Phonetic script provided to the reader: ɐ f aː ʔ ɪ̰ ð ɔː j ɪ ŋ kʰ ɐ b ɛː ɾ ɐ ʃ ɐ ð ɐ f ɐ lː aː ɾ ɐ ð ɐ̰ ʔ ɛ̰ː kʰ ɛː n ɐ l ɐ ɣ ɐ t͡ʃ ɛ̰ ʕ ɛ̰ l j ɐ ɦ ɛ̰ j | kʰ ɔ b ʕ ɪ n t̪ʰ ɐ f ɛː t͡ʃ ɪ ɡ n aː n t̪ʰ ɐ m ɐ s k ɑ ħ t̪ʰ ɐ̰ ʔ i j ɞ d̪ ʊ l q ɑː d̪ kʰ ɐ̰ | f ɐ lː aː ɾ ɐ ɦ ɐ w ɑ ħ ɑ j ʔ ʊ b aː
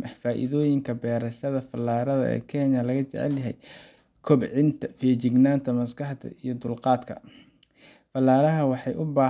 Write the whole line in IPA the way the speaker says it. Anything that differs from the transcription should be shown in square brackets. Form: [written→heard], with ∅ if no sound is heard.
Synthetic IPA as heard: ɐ f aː ʔ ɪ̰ ð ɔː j ɪ ŋ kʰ ɐ b ɛː ɾ ɐ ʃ ɐ ð ɐ f ɐ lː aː ɾ ɐ ð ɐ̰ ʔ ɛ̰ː kʰ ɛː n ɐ l ɐ ɣ ɐ t͡ʃ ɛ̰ ʕ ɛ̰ l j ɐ ɦ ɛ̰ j | kʰ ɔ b ʕ ɪ n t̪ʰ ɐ f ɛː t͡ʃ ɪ ɡ n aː n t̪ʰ ɐ m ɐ s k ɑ ħ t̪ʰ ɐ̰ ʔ i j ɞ d̪ ʊ l q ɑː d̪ kʰ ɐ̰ | f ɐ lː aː ɾ ɐ ɦ ɐ w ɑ ħ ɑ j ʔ ʊ b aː